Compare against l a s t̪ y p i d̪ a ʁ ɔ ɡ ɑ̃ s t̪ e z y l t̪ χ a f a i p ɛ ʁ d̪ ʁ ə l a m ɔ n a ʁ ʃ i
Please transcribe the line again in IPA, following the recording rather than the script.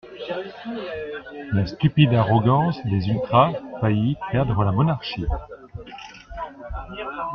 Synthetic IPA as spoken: l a s t̪ y p i d̪ a ʁ ɔ ɡ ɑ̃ s d̪ e z y l t̪ χ a f a i p ɛ ʁ d̪ ʁ ə l a m ɔ n a ʁ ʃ i